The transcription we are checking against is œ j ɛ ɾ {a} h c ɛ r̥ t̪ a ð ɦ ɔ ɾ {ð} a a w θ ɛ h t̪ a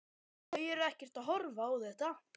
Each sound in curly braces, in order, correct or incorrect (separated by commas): incorrect, incorrect